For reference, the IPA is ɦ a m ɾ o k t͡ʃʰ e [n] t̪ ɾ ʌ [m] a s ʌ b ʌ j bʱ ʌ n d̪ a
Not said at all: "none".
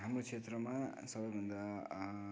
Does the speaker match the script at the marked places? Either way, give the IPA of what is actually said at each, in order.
none, m

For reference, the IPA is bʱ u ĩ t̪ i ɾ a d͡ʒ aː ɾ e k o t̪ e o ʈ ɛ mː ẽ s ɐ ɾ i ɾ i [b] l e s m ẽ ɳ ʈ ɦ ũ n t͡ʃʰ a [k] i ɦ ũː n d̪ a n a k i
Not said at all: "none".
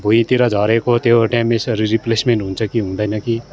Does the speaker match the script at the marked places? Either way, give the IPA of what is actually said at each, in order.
p, k

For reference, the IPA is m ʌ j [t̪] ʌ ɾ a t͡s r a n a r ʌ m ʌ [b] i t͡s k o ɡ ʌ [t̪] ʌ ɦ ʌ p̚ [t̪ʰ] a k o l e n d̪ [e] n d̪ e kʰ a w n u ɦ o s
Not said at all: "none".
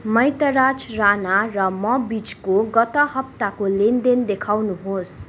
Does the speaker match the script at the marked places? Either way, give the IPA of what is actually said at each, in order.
t̪, b, t̪, t̪, e

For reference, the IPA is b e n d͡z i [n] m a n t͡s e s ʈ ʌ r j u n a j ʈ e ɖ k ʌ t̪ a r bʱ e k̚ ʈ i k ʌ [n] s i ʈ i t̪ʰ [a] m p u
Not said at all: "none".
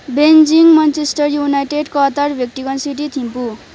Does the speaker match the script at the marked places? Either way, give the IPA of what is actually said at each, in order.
ŋ, n, i

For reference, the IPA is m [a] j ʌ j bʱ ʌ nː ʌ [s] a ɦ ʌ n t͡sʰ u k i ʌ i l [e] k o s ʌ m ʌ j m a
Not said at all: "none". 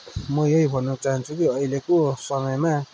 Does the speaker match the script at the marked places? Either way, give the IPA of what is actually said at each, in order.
ʌ, t͡s, e

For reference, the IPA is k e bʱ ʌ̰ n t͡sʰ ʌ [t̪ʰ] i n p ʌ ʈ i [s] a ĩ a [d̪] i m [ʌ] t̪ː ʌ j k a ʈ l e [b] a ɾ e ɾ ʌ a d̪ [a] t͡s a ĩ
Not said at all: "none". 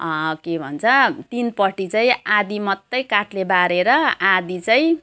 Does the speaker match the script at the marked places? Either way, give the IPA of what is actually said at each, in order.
t̪, t͡s, d̪, ʌ, b, i

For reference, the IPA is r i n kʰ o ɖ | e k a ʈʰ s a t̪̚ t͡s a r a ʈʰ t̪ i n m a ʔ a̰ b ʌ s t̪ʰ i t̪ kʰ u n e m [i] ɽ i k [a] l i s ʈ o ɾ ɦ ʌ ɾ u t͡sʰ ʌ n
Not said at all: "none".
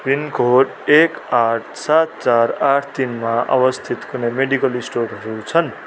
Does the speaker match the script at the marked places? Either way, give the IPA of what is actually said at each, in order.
e, ʌ

